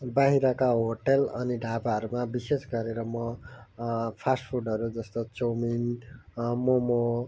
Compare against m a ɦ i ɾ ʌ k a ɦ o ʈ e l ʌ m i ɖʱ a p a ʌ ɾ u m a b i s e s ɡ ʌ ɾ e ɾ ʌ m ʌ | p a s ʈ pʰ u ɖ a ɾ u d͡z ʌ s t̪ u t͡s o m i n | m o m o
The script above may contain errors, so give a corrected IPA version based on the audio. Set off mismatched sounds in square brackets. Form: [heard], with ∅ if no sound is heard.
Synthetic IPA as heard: [b] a ɦ i ɾ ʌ k a ɦ o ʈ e l ʌ [n] i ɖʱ a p a ʌ ɾ u m a b i s e s ɡ ʌ ɾ e ɾ ʌ m ʌ | [pʰ] a s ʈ pʰ u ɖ [ʌ] ɾ u d͡z ʌ s t̪ [o] t͡s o m i n | m o m o